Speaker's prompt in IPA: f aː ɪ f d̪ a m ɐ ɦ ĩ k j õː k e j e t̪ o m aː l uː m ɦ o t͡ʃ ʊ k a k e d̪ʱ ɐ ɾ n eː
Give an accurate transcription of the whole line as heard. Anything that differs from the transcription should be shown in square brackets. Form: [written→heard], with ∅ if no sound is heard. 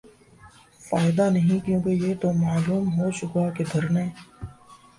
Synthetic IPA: f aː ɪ [f→∅] d̪ a [m→n] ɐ ɦ ĩ k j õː k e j e t̪ o m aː l uː m ɦ o t͡ʃ ʊ k a k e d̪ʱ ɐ ɾ n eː